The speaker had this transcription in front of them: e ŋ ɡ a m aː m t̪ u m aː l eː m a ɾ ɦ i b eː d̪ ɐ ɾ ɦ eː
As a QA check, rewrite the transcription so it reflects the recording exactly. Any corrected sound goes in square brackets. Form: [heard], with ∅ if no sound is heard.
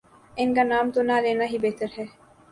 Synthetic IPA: e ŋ ɡ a [n] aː m t̪ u [n] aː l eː [n] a [∅] ɦ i b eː [t̪] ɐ ɾ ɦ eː